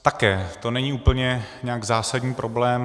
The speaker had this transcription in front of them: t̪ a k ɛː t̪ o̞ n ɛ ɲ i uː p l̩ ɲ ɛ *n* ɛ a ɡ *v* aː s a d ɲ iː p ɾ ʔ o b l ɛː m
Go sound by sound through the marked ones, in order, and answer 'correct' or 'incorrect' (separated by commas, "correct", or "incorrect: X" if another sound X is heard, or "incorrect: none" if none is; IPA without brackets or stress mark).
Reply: incorrect: ɲ, incorrect: z